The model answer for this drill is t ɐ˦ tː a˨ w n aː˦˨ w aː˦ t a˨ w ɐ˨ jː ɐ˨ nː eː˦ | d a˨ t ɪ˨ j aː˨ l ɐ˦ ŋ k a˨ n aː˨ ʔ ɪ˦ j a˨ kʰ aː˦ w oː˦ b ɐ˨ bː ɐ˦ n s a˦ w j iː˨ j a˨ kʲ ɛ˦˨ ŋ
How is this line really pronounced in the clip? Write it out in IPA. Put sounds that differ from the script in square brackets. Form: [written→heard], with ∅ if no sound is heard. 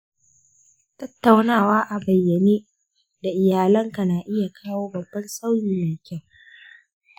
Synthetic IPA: t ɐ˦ tː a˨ w n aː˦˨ w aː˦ [t→ʔ] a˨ [w→b] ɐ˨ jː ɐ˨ [nː→n] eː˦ | d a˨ [t→ʔ] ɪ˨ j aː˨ l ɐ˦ ŋ k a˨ n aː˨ ʔ ɪ˦ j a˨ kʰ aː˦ w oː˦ b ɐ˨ bː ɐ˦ n s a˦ w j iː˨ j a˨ kʲ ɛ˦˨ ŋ